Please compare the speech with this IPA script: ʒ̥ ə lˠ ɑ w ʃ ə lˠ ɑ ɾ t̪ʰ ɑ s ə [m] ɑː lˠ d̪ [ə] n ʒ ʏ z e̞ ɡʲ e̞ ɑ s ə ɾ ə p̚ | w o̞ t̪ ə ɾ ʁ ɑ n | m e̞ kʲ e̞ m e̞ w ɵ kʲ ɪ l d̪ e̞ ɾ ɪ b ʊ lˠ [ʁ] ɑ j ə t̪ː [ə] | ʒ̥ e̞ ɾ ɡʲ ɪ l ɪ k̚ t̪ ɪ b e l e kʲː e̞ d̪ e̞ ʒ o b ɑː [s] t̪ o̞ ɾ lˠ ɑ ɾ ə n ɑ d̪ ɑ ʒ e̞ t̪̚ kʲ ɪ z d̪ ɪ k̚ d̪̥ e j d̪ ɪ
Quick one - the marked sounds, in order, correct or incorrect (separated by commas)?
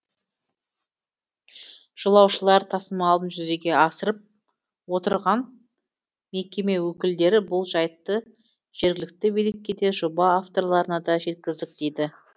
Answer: correct, correct, incorrect, correct, incorrect